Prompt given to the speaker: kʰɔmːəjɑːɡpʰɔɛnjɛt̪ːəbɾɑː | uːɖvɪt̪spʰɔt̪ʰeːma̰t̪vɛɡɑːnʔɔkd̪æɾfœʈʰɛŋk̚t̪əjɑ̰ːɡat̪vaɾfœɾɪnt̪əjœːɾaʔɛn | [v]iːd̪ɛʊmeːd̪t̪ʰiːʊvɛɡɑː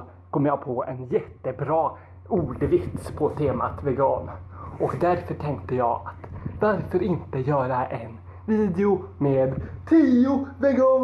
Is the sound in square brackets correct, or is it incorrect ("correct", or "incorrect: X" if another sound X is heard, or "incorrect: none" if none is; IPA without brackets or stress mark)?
correct